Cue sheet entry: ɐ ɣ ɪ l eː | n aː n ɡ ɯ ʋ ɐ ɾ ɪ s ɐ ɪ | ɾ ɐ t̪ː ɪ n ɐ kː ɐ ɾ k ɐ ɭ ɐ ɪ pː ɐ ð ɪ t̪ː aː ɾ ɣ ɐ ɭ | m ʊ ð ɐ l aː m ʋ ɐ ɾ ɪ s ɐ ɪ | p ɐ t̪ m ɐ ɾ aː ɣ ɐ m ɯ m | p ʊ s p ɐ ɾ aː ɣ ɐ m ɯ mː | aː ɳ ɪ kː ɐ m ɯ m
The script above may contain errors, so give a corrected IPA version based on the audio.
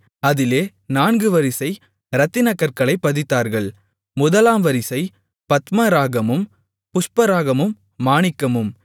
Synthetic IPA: ɐ ð ɪ l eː | n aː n ɡ ɯ ʋ ɐ ɾ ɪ s ɐ ɪ | ɾ ɐ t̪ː ɪ n ɐ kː ɐ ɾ k ɐ ɭ ɐ ɪ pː ɐ ð ɪ t̪ː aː ɾ ɣ ɐ ɭ | m ʊ ð ɐ l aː m ʋ ɐ ɾ ɪ s ɐ ɪ | p ɐ t̪ m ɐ ɾ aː ɣ ɐ m ɯ m | p ʊ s p ɐ ɾ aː ɣ ɐ m ɯ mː | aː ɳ ɪ kː ɐ m ɯ m